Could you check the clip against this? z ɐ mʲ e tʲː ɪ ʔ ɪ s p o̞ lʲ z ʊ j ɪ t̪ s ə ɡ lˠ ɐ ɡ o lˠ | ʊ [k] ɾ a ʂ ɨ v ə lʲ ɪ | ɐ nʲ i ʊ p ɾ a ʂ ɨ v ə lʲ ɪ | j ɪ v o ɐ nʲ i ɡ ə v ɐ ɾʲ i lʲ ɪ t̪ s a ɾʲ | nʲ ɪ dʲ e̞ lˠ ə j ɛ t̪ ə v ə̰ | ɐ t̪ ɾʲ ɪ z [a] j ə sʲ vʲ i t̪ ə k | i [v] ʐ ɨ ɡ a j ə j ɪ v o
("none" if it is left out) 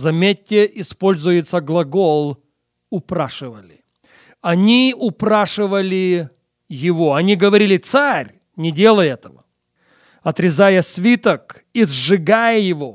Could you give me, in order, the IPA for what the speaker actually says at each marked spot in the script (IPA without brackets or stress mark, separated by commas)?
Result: p, a, z